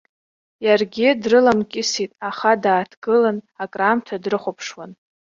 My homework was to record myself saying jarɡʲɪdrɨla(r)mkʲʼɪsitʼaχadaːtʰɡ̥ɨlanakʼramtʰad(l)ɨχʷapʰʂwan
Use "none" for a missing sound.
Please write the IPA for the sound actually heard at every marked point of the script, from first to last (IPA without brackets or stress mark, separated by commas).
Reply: none, r